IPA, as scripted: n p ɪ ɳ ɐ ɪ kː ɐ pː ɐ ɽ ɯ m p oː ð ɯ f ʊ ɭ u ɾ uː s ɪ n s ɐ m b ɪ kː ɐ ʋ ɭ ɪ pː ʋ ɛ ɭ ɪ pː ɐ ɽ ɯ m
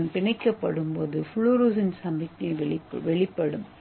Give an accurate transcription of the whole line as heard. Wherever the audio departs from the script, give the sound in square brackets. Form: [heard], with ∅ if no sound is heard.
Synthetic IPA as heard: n p ɪ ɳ ɐ ɪ kː ɐ pː ɐ ɽ ɯ m p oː ð ɯ f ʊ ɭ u ɾ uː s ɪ n s ɐ m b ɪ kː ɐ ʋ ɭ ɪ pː ʋ ɛ ɭ ɪ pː ɐ ɽ ɯ m